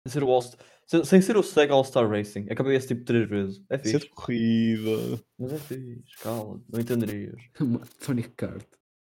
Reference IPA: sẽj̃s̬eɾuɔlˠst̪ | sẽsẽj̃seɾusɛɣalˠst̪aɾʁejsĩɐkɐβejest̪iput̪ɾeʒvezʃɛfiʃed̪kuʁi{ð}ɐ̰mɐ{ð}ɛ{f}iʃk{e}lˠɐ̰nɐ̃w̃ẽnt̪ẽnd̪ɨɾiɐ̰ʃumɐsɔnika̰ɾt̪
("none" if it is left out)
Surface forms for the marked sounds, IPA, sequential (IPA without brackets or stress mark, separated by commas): ð, z, f, a